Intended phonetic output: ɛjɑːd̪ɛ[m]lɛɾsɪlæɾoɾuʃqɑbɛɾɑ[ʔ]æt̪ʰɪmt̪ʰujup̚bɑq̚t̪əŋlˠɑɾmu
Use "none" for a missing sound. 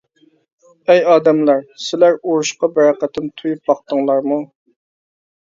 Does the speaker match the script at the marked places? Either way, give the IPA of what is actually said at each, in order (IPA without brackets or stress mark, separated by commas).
m, q